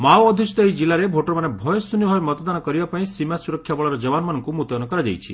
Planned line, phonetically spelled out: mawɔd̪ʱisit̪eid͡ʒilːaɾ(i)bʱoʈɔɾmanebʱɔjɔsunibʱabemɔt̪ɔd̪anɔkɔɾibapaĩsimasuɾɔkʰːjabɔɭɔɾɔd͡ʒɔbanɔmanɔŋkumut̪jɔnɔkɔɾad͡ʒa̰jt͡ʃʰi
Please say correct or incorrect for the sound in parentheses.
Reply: incorrect: e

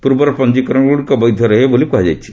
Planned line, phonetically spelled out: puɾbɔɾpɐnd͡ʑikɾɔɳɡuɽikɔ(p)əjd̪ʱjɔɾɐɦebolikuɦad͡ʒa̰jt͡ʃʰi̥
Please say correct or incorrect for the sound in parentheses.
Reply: incorrect: b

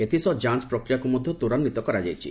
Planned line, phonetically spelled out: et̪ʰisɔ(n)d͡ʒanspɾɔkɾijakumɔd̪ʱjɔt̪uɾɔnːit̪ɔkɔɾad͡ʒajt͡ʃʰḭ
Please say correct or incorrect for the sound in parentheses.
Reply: incorrect: none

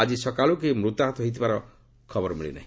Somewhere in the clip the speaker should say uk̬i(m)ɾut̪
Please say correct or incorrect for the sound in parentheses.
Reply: correct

